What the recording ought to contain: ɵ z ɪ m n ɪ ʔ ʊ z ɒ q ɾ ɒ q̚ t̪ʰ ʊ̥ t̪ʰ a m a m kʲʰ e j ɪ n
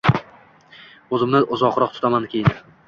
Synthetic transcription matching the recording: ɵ z ɪ m n ɪ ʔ ʊ z ɒ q ɾ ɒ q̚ t̪ʰ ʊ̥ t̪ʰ a m a n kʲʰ e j ɪ n